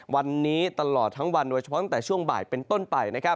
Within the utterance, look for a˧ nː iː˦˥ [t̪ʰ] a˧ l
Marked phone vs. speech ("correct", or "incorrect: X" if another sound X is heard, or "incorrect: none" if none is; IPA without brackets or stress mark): incorrect: t̪